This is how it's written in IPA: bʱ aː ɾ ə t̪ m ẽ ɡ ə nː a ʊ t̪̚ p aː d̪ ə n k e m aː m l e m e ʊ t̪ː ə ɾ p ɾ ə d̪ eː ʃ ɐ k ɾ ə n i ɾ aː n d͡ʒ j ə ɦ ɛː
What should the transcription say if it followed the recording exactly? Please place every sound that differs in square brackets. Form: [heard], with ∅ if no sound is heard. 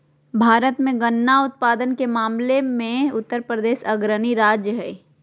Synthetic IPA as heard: bʱ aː ɾ ə t̪ m ẽ ɡ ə nː a ʊ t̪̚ p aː d̪ ə n k e m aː m l e m [ẽ] ʊ t̪ː ə ɾ p ɾ ə d̪ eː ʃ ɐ [ɡ] ɾ ə n i ɾ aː [∅] d͡ʒ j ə ɦ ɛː